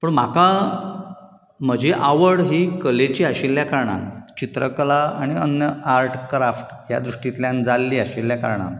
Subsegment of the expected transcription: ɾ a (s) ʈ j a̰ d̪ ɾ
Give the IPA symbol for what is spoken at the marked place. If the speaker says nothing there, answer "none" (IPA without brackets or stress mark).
f